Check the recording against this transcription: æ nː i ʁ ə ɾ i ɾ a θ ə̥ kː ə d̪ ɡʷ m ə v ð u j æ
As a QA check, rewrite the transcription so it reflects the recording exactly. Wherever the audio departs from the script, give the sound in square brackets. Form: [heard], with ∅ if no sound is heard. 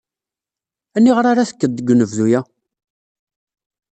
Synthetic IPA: æ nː i ʁ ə ɾ [a] ɾ a θ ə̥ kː ə d̪ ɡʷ [n] ə v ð u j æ